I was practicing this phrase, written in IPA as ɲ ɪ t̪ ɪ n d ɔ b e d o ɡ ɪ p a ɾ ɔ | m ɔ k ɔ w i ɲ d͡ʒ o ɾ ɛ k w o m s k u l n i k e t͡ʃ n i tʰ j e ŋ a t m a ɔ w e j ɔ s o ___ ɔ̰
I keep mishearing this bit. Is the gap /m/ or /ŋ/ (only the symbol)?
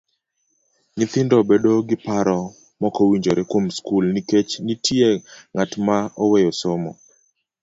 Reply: m